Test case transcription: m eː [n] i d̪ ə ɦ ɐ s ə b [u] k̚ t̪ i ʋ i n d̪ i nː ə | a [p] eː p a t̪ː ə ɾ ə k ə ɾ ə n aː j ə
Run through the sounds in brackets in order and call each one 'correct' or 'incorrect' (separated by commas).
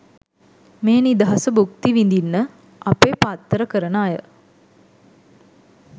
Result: correct, correct, correct